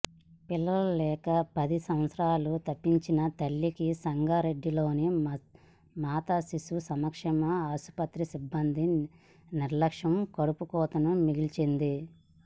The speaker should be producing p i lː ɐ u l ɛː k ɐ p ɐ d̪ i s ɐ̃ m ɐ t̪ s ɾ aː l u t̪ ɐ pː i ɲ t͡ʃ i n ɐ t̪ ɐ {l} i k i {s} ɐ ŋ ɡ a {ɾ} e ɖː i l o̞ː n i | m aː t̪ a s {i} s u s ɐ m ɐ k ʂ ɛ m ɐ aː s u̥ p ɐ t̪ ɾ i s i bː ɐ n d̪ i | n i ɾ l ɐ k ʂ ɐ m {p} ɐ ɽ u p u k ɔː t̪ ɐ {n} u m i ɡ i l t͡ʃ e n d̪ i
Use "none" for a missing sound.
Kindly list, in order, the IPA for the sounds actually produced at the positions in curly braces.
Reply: lː, s, ɾ, i, k, n

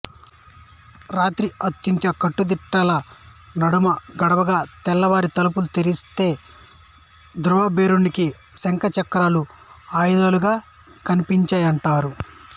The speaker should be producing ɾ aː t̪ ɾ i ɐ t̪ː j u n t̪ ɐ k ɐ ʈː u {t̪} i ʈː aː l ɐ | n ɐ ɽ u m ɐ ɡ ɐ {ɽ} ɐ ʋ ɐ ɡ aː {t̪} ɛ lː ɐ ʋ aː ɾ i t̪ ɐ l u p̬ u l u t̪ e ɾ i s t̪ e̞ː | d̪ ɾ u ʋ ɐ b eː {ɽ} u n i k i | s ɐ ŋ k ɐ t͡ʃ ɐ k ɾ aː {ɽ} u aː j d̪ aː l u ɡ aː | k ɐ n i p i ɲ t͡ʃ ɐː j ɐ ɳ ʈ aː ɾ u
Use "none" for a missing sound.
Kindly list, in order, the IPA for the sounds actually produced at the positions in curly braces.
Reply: d̪, ɽ, t̪, ɾ, l

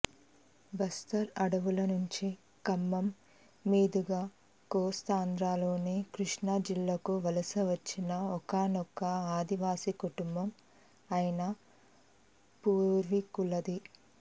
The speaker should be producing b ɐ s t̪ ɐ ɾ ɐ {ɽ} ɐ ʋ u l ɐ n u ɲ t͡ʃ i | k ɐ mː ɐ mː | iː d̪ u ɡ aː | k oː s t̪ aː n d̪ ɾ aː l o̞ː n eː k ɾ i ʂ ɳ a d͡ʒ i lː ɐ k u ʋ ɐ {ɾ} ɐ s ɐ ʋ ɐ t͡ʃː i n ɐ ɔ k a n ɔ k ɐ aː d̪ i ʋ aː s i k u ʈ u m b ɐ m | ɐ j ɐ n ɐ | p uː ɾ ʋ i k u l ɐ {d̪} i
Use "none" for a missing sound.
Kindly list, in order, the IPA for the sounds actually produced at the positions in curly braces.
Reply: ɽ, l, d̪

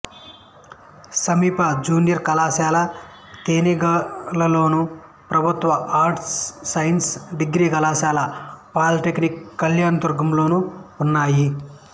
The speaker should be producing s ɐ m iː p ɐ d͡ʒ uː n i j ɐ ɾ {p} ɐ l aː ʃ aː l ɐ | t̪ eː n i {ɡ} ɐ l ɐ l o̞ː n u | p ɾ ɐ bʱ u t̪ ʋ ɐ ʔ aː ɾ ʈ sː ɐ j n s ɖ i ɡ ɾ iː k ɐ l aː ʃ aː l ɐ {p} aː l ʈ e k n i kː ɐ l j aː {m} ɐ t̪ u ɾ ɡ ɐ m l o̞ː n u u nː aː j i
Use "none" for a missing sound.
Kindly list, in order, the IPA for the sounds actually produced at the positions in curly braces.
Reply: k, ɡ, p, n

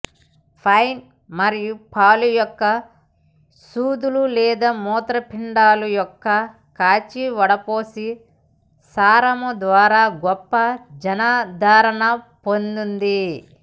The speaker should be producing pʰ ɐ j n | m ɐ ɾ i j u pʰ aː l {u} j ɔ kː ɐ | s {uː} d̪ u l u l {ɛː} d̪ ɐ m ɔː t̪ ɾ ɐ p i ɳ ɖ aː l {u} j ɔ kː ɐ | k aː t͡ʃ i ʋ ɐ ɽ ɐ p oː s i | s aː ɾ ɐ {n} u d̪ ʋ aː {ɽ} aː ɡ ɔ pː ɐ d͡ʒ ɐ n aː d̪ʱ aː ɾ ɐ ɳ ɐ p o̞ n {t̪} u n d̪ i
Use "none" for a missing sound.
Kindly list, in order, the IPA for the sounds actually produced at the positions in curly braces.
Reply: u, uː, ɛː, u, m, ɾ, d̪

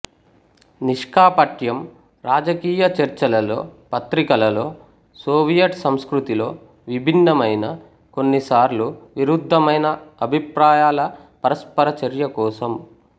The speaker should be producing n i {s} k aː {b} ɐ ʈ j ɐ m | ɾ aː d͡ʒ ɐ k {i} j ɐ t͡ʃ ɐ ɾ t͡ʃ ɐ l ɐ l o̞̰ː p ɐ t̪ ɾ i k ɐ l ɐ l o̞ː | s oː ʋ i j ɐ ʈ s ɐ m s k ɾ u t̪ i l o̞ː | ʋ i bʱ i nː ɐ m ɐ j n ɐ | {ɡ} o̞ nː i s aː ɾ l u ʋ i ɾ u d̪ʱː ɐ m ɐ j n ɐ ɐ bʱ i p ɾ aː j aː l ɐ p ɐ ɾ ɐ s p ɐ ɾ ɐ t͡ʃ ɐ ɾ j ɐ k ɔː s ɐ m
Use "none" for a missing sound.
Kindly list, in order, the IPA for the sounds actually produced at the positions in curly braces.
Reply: ʂ, p, iː, k

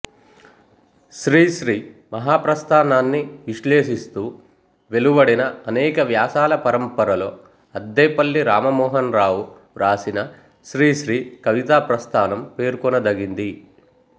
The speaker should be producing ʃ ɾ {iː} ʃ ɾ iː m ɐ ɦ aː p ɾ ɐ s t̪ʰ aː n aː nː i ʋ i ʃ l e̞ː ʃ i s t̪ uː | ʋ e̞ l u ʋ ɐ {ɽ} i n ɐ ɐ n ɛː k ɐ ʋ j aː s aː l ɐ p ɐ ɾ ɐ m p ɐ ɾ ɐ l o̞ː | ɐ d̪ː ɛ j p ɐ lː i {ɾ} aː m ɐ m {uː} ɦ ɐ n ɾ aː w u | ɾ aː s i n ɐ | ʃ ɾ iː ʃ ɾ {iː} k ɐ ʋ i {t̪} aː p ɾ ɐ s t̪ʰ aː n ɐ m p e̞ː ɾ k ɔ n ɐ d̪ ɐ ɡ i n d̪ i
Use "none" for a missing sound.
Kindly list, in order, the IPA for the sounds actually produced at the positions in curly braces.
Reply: iː, ɽ, ɾ, ɔː, iː, t̪

